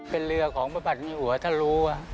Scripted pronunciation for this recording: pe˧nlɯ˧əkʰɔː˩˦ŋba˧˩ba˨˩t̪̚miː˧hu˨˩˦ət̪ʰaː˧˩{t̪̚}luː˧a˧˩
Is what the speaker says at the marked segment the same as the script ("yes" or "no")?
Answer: no